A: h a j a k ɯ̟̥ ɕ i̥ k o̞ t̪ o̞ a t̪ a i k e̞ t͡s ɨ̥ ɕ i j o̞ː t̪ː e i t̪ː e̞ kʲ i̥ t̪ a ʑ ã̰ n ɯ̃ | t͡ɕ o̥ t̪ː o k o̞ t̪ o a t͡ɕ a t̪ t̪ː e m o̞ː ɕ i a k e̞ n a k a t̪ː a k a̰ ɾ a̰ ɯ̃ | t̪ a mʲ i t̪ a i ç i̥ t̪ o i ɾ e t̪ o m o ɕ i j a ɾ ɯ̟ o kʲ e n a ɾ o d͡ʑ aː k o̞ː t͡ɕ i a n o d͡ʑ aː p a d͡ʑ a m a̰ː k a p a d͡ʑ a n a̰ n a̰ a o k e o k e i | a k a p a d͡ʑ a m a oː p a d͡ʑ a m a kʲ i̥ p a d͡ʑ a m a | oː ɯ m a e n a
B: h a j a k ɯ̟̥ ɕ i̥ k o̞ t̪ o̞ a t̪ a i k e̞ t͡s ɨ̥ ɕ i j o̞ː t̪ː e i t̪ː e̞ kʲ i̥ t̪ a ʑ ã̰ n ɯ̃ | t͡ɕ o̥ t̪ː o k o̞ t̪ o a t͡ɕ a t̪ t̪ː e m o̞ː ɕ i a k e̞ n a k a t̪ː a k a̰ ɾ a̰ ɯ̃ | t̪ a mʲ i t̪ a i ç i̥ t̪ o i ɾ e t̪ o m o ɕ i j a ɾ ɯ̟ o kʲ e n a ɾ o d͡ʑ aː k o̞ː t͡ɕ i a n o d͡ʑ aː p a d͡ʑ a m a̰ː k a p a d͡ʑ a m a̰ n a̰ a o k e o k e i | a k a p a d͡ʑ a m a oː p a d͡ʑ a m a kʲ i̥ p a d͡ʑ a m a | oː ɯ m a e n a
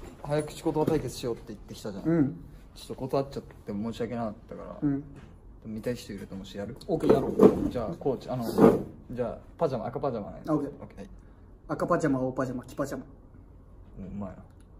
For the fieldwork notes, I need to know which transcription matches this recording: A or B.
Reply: B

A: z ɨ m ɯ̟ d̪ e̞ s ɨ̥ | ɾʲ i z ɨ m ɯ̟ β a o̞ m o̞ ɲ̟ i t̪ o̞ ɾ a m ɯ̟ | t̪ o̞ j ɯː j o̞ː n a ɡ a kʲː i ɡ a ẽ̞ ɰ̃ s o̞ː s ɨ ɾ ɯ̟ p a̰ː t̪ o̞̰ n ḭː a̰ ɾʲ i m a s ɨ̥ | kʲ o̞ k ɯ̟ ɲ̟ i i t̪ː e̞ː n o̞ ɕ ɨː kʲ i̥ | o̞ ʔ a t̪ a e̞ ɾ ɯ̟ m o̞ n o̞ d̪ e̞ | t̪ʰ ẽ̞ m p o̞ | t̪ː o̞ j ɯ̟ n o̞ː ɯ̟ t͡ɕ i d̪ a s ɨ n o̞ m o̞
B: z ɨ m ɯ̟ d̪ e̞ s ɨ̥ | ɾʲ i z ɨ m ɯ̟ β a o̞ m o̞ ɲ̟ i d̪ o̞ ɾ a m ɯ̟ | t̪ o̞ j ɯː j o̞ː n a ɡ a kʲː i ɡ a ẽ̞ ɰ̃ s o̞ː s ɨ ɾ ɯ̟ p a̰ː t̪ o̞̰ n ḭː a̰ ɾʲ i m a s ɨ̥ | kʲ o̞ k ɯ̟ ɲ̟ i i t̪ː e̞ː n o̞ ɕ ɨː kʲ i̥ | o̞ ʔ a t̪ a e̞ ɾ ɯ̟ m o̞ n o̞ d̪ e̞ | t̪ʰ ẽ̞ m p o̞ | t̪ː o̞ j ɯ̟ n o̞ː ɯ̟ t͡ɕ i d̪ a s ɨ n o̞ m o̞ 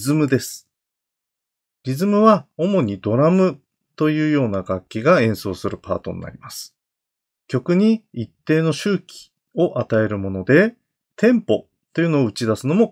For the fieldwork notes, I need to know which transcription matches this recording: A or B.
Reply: B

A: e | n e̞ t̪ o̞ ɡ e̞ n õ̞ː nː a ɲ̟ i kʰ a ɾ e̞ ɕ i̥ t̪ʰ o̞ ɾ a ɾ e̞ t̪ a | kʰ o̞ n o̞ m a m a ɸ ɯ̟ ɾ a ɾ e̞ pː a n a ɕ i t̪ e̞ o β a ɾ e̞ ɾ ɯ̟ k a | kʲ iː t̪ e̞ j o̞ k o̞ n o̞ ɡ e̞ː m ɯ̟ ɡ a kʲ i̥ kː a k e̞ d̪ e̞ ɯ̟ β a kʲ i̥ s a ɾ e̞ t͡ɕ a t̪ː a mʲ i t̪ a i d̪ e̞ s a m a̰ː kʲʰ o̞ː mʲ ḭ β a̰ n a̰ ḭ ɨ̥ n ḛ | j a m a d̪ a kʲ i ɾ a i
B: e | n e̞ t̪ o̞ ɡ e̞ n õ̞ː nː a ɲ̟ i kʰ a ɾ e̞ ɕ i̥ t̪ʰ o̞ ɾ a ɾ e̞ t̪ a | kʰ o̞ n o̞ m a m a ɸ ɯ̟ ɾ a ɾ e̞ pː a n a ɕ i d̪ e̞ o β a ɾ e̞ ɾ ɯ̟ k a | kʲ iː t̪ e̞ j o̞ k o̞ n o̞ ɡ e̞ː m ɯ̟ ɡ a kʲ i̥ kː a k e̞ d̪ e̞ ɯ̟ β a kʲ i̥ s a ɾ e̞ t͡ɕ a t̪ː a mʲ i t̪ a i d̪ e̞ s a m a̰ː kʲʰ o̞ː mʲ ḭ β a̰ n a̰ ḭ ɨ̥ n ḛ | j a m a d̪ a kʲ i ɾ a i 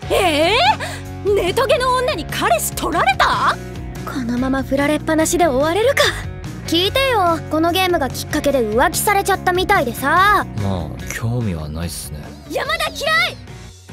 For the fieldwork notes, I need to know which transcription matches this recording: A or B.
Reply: B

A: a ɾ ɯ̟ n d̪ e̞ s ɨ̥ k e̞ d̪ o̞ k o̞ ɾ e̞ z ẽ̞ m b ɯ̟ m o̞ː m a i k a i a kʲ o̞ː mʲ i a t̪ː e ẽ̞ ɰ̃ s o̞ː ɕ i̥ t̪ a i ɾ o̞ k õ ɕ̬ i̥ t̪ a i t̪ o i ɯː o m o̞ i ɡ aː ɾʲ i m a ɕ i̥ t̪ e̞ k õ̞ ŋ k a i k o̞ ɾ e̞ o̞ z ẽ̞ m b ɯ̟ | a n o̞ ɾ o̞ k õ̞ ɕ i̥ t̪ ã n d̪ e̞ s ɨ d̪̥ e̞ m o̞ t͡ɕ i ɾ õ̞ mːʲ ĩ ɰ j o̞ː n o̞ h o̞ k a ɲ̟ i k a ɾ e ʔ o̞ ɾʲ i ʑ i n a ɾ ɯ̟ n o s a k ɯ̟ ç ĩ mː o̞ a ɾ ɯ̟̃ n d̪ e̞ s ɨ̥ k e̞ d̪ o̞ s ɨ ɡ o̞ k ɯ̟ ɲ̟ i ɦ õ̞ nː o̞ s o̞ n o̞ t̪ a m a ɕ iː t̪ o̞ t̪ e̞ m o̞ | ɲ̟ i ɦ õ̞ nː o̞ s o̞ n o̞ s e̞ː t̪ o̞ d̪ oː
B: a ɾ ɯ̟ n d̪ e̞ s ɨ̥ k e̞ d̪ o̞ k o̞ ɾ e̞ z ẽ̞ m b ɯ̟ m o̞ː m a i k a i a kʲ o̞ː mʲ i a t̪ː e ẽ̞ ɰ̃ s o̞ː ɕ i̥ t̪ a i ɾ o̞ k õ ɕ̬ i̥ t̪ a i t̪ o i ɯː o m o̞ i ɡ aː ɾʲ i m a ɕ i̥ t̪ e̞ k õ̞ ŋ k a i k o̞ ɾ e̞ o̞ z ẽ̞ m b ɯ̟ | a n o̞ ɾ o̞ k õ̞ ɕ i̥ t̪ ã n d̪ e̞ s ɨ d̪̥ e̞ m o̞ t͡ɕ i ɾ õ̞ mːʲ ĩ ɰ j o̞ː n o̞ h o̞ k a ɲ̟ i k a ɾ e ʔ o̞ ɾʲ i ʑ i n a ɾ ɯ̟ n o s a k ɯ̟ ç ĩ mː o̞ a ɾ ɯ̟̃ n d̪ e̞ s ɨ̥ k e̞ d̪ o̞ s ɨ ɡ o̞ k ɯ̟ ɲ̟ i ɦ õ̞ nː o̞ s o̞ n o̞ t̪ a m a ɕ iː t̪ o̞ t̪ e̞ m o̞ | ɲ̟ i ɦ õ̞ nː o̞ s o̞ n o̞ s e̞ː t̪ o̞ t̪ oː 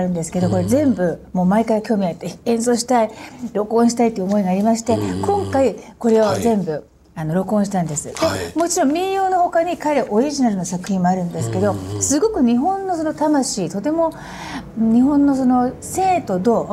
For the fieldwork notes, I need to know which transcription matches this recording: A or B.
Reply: A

